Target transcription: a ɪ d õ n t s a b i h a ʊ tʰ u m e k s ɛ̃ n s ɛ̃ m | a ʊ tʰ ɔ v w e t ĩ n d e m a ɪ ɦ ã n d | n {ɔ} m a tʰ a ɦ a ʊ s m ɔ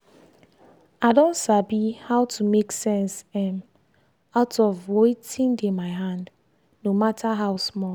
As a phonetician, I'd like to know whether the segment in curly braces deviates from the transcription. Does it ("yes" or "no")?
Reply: yes